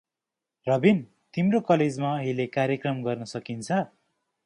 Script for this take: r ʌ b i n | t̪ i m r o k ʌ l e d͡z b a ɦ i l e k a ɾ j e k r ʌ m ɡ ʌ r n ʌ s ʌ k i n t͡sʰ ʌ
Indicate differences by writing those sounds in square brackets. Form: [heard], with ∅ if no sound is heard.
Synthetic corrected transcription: r ʌ b i n | t̪ i m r o k ʌ l e d͡z [m] a ɦ i l e k a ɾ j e k r ʌ m ɡ ʌ r n ʌ s ʌ k i n t͡sʰ ʌ